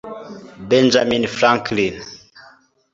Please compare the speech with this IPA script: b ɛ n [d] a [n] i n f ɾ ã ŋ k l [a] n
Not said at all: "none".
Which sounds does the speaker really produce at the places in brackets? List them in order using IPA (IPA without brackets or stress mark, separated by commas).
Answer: d͡ʒ, m, i